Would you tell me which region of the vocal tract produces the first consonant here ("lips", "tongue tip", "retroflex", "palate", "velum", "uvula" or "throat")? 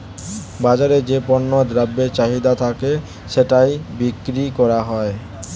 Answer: lips